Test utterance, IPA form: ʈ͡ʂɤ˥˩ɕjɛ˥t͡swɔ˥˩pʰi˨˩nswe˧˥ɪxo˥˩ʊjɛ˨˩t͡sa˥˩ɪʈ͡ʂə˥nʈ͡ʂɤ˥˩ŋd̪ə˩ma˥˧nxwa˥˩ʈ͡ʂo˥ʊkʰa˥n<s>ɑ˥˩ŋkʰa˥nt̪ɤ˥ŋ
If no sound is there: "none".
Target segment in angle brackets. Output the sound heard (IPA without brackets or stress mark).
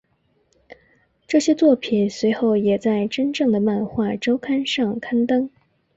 ʂ